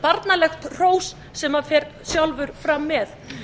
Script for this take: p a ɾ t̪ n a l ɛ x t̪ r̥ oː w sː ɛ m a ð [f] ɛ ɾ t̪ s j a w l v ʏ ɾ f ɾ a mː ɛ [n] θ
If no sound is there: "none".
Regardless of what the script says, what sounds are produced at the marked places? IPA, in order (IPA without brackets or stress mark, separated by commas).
f, none